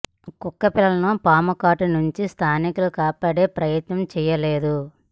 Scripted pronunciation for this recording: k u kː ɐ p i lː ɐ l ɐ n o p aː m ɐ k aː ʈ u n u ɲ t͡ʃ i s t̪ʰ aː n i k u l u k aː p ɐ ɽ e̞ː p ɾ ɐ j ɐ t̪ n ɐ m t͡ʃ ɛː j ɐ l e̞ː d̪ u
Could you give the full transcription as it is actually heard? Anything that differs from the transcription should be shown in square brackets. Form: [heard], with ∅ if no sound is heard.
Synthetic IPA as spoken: k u kː ɐ p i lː ɐ l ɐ n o p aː m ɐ k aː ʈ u n u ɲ t͡ʃ i s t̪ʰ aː n i k u l u k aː p ɐ ɽ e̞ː p ɾ ɐ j ɐ t̪ n ɐ m t͡ʃ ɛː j ɐ l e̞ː d̪ u